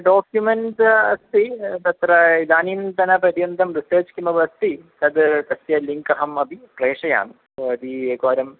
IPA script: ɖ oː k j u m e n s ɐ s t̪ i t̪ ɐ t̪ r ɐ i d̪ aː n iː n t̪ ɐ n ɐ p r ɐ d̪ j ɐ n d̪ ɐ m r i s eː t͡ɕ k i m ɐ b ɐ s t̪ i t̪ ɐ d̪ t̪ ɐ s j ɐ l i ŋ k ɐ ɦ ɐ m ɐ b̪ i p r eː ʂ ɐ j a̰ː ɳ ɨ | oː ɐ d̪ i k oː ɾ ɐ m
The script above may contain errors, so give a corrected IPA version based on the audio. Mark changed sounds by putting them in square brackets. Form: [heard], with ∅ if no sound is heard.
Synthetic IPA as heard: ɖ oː k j u m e n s ɐ s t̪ i t̪ ɐ t̪ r ɐ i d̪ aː n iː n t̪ ɐ n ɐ p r ɐ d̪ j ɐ n d̪ ɐ m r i s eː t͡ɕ k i m ɐ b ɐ s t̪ i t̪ ɐ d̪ t̪ ɐ s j ɐ l i ŋ k ɐ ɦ ɐ m ɐ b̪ i p r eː ʂ ɐ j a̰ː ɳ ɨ | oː ɐ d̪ i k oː ɾ ɐ m

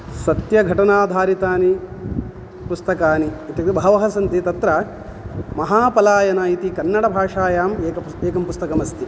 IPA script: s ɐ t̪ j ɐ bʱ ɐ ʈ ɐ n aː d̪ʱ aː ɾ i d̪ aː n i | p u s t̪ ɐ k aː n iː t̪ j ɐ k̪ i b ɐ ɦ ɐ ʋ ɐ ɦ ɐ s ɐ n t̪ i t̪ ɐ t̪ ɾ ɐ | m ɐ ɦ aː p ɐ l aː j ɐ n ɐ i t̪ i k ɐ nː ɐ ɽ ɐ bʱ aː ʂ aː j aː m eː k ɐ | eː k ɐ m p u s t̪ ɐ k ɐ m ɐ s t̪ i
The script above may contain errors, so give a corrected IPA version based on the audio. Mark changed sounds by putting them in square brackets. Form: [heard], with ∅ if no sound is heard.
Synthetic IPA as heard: s ɐ t̪ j ɐ [ɡʱ] ɐ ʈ ɐ n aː d̪ʱ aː ɾ i [t̪] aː n i | p u s t̪ ɐ k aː n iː t̪ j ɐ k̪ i b ɐ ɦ ɐ ʋ ɐ ɦ ɐ s ɐ n t̪ i t̪ ɐ t̪ ɾ ɐ | m ɐ ɦ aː p ɐ l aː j ɐ n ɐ i t̪ i k ɐ nː ɐ ɽ ɐ bʱ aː ʂ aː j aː m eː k ɐ | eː k ɐ m p u s t̪ ɐ k ɐ m ɐ s t̪ i

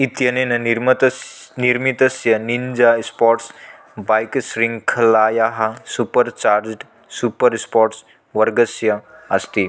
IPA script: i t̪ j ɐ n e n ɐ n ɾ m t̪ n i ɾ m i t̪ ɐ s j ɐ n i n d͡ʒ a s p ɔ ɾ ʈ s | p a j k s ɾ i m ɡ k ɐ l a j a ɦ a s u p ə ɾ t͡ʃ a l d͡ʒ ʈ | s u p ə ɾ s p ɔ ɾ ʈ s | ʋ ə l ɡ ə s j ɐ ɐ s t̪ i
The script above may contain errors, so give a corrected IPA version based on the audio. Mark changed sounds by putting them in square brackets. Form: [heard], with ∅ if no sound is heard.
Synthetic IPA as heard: i t̪ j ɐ n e n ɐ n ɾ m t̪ n i ɾ m i t̪ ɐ s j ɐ n i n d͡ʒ a s p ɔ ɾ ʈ s | [b] a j k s ɾ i [ŋ] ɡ [kʰ] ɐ l a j a ɦ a s u p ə ɾ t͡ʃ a [ɾ] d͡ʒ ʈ | s u p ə ɾ s p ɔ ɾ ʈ s | ʋ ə [ɾ] ɡ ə s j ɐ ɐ s t̪ i

